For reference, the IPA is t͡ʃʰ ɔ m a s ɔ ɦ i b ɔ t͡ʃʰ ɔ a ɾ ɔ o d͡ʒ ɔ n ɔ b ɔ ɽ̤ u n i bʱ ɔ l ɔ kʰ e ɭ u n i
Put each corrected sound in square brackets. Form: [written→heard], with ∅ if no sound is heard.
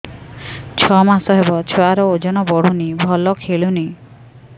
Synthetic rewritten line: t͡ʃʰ ɔ m a s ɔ ɦ [i→e] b ɔ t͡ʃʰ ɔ a ɾ ɔ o d͡ʒ ɔ n ɔ b ɔ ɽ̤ u n i bʱ ɔ l ɔ kʰ e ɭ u n i